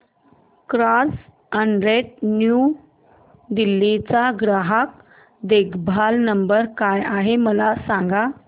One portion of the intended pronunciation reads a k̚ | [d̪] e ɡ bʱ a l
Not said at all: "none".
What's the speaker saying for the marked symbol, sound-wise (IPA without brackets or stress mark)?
d̪